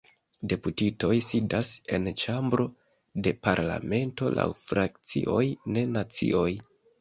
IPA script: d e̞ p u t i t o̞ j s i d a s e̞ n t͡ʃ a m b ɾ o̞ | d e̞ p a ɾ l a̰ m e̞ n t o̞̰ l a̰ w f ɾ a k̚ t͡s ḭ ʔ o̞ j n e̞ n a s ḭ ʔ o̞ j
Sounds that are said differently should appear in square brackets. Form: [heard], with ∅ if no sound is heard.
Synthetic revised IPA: d e̞ p u t i t o̞ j s i d a s e̞ n t͡ʃ a m b ɾ o̞ | d e̞ p a ɾ l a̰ m e̞ n t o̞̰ l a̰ w f ɾ a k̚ t͡s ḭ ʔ o̞ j n e̞ n a [t͡s] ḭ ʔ o̞ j